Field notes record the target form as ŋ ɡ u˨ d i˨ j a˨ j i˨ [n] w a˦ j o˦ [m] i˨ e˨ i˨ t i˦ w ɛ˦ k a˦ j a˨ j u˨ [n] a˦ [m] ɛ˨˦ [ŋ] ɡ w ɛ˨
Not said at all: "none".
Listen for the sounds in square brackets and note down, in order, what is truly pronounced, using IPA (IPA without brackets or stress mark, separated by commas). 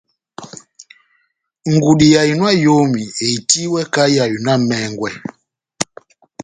n, m, n, m, ŋ